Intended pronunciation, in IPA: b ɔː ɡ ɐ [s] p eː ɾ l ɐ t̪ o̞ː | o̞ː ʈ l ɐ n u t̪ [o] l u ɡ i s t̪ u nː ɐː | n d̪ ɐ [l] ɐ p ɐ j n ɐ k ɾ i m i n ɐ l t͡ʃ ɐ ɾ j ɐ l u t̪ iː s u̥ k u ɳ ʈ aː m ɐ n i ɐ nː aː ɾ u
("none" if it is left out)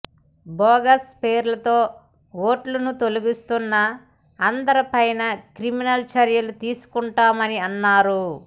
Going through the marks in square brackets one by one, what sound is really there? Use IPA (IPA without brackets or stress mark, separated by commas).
s, o, ɾ